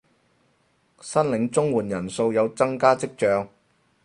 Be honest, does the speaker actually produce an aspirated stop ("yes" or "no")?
no